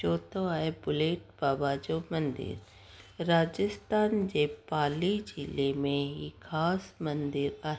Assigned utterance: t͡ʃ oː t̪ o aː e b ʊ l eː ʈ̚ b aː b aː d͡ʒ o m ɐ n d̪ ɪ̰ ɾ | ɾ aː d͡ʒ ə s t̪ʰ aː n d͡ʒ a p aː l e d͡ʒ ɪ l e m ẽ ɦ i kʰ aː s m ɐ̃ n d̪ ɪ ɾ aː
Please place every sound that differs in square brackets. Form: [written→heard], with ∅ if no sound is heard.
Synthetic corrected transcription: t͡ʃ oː t̪ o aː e b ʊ l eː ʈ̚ b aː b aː d͡ʒ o m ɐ n d̪ ɪ̰ ɾ | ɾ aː d͡ʒ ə s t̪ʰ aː n d͡ʒ [a→e] p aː l [e→i] d͡ʒ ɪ l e m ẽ ɦ i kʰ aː s m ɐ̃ n d̪ ɪ ɾ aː